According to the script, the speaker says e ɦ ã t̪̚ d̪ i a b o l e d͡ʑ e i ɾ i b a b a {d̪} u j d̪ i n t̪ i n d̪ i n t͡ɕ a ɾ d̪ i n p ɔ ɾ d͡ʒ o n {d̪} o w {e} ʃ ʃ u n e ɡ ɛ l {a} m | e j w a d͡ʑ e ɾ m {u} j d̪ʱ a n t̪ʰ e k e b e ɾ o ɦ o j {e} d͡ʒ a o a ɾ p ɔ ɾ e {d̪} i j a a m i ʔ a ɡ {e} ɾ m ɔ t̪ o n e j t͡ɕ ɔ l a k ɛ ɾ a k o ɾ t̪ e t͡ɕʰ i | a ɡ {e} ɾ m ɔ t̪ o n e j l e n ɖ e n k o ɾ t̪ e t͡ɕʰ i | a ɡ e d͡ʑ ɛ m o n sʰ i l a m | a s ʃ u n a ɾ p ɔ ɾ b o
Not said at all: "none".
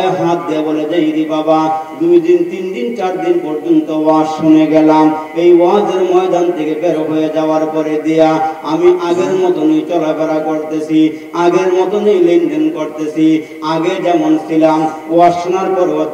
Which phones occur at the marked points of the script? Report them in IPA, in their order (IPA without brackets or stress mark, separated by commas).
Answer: d̪, t̪, a, a, ɔ, e, d̪, e, e